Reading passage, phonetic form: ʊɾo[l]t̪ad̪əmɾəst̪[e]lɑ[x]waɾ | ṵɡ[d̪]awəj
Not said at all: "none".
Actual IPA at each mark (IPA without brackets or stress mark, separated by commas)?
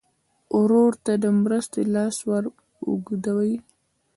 ɾ, e, s, d̪